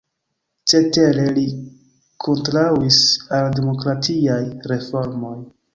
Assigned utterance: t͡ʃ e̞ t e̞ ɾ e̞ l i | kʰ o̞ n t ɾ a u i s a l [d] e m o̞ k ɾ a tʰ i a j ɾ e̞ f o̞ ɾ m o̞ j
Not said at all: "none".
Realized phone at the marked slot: d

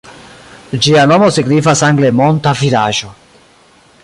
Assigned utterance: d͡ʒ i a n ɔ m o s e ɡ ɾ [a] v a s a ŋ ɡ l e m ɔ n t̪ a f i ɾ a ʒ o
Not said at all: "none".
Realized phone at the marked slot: i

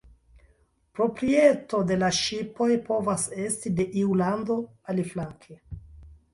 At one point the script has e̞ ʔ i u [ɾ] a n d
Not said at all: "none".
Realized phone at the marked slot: l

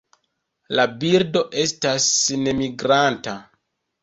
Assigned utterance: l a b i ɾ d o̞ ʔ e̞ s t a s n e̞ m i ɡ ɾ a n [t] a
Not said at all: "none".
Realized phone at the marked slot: t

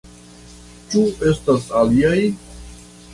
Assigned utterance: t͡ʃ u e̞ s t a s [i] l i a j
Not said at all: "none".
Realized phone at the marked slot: a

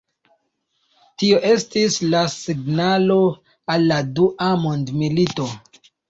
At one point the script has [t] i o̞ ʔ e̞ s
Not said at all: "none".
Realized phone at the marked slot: t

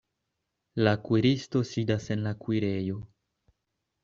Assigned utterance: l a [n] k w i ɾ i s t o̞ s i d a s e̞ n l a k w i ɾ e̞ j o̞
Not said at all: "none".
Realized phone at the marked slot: none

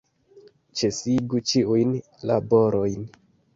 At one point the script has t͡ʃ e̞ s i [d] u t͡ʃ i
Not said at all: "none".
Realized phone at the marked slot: ɡ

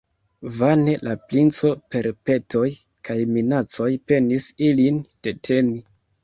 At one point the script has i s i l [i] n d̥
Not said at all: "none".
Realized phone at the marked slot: i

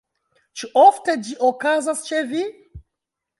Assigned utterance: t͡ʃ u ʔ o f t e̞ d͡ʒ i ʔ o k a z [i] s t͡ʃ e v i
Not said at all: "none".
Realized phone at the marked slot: a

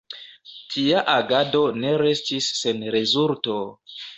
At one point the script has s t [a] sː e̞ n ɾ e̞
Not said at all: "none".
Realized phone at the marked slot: i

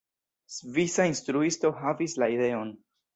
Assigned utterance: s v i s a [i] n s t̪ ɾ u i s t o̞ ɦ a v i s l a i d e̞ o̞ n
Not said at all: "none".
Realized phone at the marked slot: i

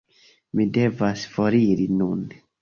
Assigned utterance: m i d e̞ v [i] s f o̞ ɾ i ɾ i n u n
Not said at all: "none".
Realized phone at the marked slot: a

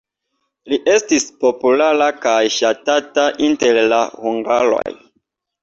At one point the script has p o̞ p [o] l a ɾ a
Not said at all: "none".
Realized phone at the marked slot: u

